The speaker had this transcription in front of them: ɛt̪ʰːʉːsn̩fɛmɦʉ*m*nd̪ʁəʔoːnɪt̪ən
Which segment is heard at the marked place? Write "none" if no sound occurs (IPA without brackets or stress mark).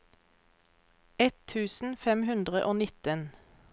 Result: none